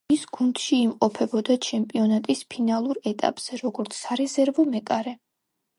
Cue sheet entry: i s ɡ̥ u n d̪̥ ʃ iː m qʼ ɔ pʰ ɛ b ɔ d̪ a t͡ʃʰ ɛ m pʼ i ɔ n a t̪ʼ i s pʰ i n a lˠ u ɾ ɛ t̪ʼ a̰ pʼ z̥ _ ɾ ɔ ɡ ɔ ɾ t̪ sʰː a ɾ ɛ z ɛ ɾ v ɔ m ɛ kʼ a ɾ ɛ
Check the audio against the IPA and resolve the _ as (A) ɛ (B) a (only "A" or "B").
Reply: A